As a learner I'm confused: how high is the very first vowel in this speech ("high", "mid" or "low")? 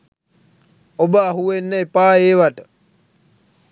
mid